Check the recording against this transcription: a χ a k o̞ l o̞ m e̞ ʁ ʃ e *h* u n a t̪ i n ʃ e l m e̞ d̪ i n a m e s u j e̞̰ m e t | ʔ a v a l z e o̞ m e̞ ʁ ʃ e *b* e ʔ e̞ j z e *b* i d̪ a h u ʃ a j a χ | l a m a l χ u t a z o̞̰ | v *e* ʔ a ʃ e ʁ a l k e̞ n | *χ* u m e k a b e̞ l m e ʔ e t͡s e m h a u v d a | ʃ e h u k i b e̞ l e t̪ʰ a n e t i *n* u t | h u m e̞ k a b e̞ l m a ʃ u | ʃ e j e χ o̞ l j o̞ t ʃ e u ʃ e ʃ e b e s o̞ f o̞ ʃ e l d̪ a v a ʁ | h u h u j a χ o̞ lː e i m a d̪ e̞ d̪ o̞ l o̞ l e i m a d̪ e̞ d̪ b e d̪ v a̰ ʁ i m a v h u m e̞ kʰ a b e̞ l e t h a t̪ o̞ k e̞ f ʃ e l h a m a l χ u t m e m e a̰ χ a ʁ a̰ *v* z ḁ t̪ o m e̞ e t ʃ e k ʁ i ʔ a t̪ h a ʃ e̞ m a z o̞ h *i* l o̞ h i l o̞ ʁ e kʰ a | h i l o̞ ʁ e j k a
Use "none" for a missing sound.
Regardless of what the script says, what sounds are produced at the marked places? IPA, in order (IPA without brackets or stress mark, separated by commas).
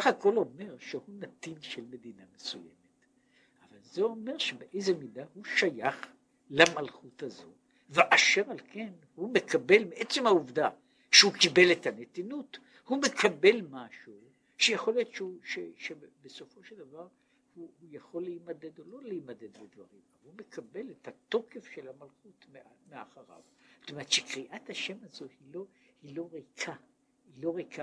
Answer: h, b, m, e, h, n, v, i